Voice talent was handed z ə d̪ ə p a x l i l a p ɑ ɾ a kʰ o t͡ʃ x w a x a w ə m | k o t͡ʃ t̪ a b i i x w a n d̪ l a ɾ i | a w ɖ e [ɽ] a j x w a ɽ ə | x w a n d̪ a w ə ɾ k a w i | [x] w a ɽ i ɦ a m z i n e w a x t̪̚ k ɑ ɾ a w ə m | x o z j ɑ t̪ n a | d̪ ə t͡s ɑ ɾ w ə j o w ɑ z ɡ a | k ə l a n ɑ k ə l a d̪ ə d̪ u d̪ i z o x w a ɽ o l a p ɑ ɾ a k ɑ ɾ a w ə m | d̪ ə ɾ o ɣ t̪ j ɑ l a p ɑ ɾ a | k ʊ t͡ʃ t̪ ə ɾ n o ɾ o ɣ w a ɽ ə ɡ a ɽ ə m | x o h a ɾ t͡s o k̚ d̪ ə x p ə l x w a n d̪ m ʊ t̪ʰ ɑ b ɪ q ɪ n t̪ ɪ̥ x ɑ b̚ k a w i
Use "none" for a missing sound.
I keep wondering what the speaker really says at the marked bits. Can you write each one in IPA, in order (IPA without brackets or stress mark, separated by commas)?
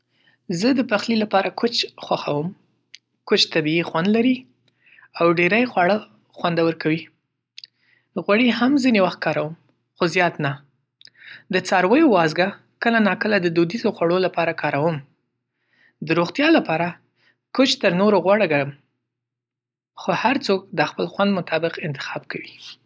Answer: ɾ, ɣ